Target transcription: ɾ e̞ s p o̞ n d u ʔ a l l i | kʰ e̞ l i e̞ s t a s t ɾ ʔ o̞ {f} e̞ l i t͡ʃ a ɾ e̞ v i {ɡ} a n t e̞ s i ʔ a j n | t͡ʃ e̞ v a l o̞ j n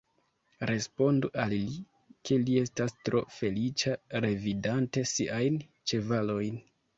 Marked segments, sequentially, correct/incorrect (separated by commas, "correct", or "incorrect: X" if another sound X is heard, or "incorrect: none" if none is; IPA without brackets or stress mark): correct, incorrect: d